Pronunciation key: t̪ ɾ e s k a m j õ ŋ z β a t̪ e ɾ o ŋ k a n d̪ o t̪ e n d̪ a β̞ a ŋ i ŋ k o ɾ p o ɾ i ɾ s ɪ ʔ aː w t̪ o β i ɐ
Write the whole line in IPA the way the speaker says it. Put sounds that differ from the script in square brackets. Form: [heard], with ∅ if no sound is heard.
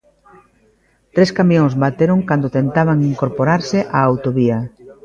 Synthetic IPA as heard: t̪ ɾ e s k a m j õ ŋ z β a t̪ e ɾ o ŋ k a n d̪ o t̪ e n [t̪] a β̞ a ŋ i ŋ k o ɾ p o ɾ [a] ɾ s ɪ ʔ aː w t̪ o β i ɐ